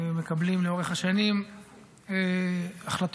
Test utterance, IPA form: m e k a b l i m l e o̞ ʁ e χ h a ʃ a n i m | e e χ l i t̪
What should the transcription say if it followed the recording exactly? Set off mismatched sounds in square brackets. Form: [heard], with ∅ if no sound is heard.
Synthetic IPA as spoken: m e k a b l i m l e o̞ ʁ e χ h a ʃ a n i m | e [a] χ l [a] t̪